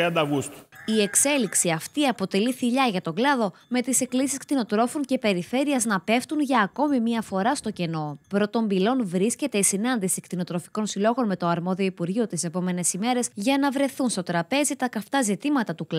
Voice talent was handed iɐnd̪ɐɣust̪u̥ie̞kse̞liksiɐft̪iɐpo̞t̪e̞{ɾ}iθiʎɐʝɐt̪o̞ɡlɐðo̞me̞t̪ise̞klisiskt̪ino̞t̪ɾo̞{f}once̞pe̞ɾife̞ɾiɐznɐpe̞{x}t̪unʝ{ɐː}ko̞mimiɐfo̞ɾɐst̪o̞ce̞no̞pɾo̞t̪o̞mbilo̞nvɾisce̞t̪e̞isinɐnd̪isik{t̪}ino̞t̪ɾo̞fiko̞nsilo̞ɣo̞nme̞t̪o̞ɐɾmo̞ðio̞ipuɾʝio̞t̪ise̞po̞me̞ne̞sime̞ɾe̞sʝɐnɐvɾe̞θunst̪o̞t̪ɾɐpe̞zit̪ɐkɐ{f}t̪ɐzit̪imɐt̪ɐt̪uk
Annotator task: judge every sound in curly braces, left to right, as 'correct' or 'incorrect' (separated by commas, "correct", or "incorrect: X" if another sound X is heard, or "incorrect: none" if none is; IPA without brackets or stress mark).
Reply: incorrect: l, correct, incorrect: f, correct, correct, correct